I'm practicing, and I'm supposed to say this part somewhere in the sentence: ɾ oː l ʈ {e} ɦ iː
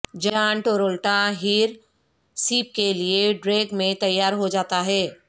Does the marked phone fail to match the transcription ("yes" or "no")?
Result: yes